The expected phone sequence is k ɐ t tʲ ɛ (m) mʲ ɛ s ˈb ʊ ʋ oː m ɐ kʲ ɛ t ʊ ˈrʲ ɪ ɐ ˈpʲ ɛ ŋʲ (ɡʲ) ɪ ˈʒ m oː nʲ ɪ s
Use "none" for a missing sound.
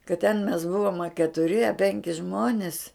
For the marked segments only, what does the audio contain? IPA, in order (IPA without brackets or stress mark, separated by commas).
n, kʲ